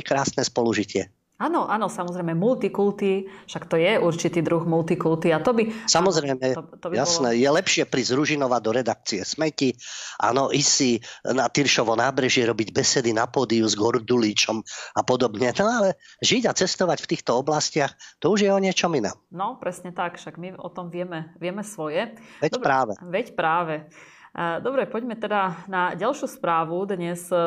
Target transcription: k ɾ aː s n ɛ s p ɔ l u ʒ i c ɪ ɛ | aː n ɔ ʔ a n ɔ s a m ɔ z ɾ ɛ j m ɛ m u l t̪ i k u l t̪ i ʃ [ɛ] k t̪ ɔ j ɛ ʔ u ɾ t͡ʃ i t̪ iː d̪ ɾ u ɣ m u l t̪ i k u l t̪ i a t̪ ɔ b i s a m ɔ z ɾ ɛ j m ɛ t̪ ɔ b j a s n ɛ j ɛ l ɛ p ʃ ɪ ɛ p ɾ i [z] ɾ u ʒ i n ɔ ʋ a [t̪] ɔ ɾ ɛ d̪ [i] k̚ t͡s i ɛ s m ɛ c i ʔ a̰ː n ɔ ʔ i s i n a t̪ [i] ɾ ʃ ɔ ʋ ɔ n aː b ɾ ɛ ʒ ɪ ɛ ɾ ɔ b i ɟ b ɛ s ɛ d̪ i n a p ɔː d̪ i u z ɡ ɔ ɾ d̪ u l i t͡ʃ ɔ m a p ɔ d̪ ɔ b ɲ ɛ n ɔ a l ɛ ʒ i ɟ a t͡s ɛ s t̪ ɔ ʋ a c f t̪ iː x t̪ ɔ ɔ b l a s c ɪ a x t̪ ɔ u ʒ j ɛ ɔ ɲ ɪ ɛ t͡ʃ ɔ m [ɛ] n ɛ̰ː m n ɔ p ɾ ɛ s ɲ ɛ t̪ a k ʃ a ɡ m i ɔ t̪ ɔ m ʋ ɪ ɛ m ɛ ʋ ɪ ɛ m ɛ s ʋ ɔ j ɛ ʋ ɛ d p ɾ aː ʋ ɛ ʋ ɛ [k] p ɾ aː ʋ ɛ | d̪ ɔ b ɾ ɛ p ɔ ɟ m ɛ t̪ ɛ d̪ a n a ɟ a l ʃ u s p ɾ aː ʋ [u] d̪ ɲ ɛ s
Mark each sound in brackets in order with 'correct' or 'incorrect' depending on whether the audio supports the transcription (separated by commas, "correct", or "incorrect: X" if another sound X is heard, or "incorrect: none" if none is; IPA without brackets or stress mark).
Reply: incorrect: a, correct, incorrect: d̪, incorrect: a, correct, incorrect: i, incorrect: c, correct